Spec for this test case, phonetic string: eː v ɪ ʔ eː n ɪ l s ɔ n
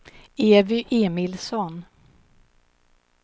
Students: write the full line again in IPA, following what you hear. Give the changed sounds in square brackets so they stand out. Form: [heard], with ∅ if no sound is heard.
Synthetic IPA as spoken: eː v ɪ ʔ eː [m] ɪ l s ɔ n